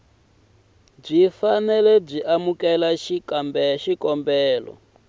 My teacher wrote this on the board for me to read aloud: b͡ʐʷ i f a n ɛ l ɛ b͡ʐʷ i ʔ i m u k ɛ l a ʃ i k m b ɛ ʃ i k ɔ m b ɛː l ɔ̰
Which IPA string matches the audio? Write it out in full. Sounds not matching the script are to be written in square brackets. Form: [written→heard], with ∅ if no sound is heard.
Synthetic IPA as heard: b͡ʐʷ i f a n ɛ l ɛ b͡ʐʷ i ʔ [i→a] m u k ɛ l a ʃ i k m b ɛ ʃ i k ɔ m b ɛː l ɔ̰